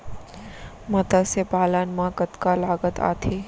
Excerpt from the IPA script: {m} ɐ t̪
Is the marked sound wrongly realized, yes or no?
no